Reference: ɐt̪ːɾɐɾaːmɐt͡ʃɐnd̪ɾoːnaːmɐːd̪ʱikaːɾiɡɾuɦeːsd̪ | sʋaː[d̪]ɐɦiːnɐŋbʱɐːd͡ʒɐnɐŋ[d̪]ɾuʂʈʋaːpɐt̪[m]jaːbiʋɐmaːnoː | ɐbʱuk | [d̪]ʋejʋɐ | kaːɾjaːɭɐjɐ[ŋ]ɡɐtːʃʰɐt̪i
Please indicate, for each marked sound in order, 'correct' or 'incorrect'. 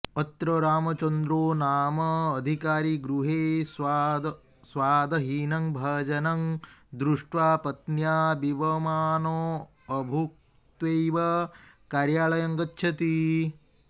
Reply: correct, correct, incorrect, incorrect, correct

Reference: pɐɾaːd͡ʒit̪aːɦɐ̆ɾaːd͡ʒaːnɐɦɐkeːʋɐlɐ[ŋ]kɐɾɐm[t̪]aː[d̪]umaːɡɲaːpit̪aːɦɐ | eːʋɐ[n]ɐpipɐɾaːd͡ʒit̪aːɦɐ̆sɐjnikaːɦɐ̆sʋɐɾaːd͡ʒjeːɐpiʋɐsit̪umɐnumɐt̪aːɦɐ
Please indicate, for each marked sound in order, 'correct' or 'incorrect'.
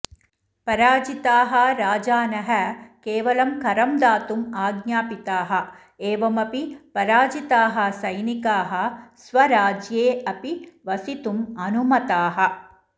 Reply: incorrect, incorrect, incorrect, incorrect

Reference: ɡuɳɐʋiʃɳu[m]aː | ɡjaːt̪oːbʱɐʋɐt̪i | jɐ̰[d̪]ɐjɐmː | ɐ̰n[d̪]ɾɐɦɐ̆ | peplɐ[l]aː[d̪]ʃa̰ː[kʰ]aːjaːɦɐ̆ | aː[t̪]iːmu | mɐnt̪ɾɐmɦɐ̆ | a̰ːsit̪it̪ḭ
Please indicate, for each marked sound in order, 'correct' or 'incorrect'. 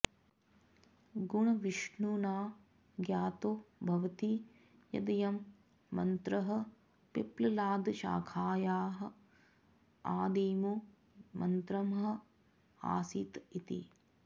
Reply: incorrect, correct, incorrect, correct, correct, correct, incorrect

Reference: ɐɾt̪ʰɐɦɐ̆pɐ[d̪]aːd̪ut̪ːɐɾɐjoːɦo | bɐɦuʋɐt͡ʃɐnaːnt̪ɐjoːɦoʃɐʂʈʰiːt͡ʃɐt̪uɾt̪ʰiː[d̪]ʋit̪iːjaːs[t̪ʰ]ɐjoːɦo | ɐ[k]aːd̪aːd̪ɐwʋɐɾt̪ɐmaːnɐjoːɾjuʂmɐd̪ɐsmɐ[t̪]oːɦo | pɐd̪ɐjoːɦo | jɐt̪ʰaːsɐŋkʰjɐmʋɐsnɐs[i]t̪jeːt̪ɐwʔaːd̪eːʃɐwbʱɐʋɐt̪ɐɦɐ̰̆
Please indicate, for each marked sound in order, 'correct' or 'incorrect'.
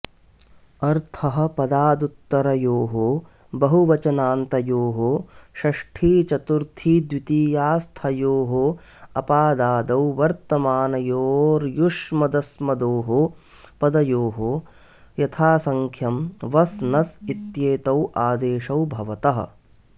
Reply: correct, correct, correct, incorrect, incorrect, correct

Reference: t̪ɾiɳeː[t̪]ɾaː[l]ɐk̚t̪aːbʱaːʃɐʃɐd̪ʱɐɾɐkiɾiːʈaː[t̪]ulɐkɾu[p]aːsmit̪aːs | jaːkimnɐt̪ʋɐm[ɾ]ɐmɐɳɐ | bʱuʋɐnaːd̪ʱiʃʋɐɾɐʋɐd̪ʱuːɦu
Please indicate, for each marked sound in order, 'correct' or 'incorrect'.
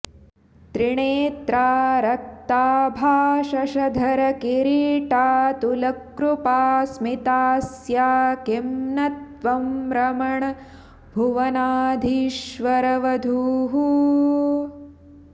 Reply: correct, incorrect, correct, correct, correct

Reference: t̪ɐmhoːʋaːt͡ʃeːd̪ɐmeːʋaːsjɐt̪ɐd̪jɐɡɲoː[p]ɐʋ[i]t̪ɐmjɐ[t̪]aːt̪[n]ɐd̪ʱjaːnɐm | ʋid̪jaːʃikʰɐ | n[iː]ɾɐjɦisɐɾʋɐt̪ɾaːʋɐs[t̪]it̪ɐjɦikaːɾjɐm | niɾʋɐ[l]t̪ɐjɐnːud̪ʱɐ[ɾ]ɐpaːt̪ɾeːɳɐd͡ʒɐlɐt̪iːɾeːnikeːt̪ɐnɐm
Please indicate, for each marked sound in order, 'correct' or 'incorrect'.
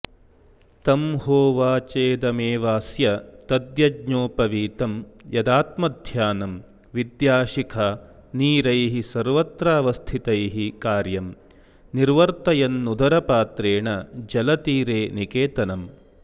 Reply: correct, incorrect, incorrect, incorrect, correct, incorrect, incorrect, correct

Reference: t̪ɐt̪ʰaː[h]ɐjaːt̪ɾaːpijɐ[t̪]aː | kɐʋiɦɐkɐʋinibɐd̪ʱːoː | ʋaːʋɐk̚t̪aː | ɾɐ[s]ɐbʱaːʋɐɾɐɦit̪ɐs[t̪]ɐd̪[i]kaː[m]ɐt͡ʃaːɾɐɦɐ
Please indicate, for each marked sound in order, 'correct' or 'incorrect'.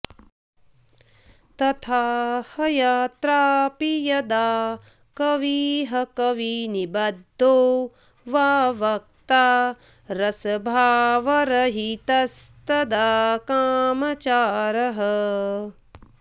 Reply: correct, incorrect, correct, correct, incorrect, correct

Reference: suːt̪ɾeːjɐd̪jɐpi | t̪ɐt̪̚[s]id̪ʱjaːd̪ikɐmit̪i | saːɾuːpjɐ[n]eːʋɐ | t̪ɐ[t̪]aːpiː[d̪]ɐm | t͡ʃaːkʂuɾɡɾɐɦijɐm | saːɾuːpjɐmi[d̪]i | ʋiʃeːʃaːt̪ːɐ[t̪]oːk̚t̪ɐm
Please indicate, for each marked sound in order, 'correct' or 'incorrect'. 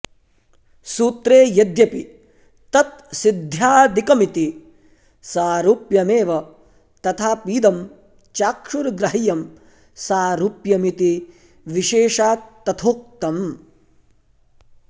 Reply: correct, incorrect, incorrect, correct, incorrect, incorrect

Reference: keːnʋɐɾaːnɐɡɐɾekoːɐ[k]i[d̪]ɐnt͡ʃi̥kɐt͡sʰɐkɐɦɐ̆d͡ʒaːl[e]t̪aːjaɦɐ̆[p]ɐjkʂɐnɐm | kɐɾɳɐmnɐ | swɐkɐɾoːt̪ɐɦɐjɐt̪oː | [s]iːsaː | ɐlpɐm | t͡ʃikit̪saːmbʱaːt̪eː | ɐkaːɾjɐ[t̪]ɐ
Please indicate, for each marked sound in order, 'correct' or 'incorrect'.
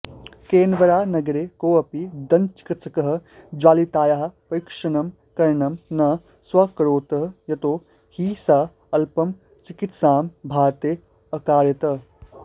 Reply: incorrect, correct, incorrect, correct, incorrect, correct

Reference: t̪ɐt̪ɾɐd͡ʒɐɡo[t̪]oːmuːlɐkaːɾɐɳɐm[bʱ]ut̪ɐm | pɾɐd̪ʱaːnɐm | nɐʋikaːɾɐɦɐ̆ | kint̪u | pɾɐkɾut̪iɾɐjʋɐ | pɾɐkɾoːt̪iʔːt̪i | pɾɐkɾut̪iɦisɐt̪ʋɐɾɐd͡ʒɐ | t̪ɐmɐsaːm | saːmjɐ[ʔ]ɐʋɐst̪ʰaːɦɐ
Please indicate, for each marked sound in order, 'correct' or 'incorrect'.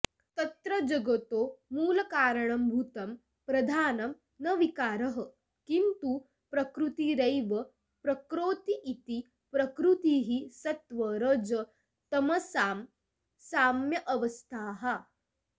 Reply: correct, correct, correct

